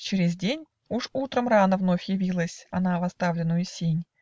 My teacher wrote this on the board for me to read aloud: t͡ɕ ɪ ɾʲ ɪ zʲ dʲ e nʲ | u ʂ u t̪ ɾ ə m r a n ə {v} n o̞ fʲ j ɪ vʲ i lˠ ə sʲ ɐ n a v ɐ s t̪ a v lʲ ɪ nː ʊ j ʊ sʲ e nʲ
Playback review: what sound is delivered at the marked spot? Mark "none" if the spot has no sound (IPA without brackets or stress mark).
v